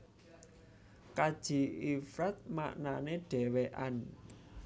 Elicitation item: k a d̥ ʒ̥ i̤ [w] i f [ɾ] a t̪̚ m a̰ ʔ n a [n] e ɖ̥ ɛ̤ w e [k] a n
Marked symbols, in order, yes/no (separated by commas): no, yes, yes, no